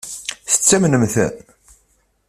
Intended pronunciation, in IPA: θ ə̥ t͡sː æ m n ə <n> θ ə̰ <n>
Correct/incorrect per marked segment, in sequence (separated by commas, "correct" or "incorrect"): incorrect, correct